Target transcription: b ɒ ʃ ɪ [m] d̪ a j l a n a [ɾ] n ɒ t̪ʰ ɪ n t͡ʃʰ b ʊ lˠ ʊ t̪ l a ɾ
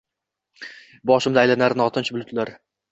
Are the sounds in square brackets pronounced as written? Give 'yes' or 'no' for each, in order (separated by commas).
yes, yes